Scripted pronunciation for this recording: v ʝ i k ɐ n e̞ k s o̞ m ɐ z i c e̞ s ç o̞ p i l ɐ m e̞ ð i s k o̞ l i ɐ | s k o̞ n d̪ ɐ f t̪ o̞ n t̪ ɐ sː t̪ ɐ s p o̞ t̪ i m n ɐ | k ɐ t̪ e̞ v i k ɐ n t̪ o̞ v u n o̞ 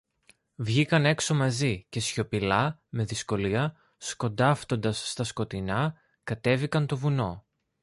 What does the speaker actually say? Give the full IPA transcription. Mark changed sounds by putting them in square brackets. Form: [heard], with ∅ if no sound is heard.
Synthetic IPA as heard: v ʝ i k ɐ n e̞ k s o̞ m ɐ z i c e̞ s ç o̞ p i l ɐ m e̞ ð i s k o̞ l i ɐ | s k o̞ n d̪ ɐ f t̪ o̞ n [d̪] ɐ sː t̪ ɐ s [k] o̞ t̪ i [∅] n ɐ | k ɐ t̪ e̞ v i k ɐ n t̪ o̞ v u n o̞

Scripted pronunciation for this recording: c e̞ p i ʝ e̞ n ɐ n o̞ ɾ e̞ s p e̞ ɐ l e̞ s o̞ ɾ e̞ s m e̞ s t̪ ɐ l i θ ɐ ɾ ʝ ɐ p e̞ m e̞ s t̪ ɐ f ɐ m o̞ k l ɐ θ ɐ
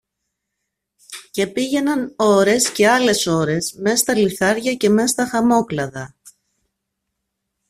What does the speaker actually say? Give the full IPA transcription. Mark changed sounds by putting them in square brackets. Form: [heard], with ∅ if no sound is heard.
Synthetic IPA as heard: c e̞ p i ʝ e̞ n ɐ n o̞ ɾ e̞ s [c] e̞ ɐ l e̞ s o̞ ɾ e̞ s m e̞ s t̪ ɐ l i θ ɐ ɾ ʝ ɐ [c] e̞ m e̞ s t̪ ɐ [x] ɐ m o̞ k l ɐ [ð] ɐ

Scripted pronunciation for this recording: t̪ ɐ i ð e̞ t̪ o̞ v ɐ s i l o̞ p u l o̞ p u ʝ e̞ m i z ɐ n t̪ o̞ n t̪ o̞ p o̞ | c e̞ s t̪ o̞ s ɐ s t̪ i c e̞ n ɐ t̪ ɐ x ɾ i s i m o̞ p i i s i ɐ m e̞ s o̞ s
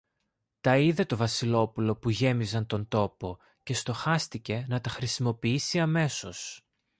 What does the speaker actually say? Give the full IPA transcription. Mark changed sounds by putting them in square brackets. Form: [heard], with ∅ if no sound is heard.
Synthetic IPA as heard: t̪ ɐ i ð e̞ t̪ o̞ v ɐ s i l o̞ p u l o̞ p u ʝ e̞ m i z ɐ n t̪ o̞ n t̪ o̞ p o̞ | c e̞ s t̪ o̞ [x] ɐ s t̪ i c e̞ n ɐ t̪ ɐ x ɾ i s i m o̞ p i i s i ɐ m e̞ s o̞ s

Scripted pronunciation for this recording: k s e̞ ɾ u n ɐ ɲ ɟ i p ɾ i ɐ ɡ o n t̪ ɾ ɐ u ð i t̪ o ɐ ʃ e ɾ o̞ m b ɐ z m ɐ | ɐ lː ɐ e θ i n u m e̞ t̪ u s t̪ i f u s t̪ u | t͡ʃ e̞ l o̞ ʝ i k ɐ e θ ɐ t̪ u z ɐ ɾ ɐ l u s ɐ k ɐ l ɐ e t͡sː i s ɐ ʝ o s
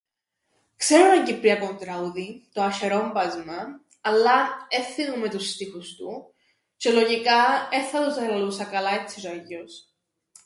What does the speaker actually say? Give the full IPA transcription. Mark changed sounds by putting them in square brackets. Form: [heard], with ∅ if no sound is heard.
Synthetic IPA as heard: k s e̞ ɾ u n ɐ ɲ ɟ i p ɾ i ɐ [k] o n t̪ ɾ ɐ u ð i t̪ o ɐ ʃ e ɾ o̞ m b ɐ z m ɐ | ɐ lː ɐ e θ i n u m e̞ t̪ u s t̪ i [x] u s t̪ u | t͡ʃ e̞ l o̞ ʝ i k ɐ e θ ɐ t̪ u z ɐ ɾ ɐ l u s ɐ k ɐ l ɐ e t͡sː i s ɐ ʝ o s

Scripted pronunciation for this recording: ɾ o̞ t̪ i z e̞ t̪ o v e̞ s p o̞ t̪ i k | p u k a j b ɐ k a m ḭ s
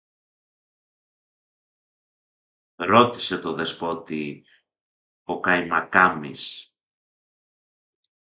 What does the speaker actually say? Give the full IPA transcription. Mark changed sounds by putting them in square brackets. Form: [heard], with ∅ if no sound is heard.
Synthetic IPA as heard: ɾ o̞ t̪ i [s] e̞ t̪ o [ð] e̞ s p o̞ t̪ i [∅] | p [o] k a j [m] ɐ k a m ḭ s

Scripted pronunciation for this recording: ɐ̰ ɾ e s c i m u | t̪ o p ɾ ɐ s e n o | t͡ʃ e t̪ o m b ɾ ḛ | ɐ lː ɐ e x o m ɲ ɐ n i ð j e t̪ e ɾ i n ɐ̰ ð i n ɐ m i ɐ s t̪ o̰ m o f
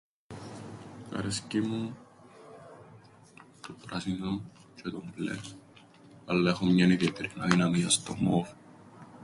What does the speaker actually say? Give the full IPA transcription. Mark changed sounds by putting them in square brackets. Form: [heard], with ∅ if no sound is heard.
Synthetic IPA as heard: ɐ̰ ɾ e s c i m u | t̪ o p ɾ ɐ s [i] n o | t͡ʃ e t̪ o m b [l] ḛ | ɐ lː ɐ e x o m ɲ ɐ n i ð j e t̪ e ɾ i n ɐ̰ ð i n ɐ m i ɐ s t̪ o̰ m o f

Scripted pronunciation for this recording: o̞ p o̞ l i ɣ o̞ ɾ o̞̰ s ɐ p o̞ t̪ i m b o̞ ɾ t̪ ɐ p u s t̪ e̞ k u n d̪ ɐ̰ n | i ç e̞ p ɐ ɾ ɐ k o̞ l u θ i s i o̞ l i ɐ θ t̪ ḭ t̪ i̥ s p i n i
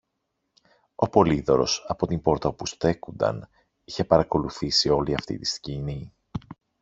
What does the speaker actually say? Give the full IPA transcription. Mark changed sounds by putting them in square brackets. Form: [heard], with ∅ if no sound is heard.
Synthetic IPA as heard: o̞ p o̞ l i [ð] o̞ ɾ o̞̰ s ɐ p o̞ t̪ i m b o̞ ɾ t̪ ɐ p u s t̪ e̞ k u n d̪ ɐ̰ n | i ç e̞ p ɐ ɾ ɐ k o̞ l u θ i s i o̞ l i ɐ [f] t̪ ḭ t̪ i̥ s [c] i n i

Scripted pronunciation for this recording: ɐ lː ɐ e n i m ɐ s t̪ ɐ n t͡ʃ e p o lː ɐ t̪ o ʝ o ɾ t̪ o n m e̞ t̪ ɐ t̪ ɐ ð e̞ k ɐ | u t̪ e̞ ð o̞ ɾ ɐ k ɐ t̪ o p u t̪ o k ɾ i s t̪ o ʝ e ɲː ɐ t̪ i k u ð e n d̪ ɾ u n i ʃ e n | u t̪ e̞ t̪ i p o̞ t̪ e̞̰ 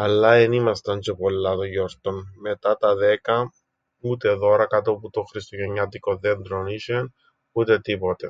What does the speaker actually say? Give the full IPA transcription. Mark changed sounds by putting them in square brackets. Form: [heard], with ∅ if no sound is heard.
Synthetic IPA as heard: ɐ lː ɐ e n i m ɐ s t̪ ɐ n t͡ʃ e p o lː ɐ t̪ o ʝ o ɾ t̪ o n m e̞ t̪ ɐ t̪ ɐ ð e̞ k ɐ | u t̪ e̞ ð o̞ ɾ ɐ k ɐ t̪ o p u t̪ o [x] ɾ i s t̪ o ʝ e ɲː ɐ t̪ i k [o] ð e n d̪ ɾ [o] n i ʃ e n | u t̪ e̞ t̪ i p o̞ t̪ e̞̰

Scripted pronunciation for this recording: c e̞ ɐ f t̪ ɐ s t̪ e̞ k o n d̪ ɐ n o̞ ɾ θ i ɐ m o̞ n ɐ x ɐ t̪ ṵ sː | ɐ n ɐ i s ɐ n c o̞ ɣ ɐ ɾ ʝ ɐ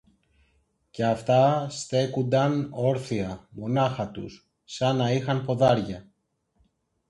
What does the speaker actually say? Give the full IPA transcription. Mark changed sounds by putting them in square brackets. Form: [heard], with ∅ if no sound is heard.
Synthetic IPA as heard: c e̞ ɐ f t̪ ɐ s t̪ e̞ k [u] n d̪ ɐ n o̞ ɾ θ i ɐ m o̞ n ɐ x ɐ t̪ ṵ sː | ɐ n ɐ i [x] ɐ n [p] o̞ [ð] ɐ ɾ ʝ ɐ

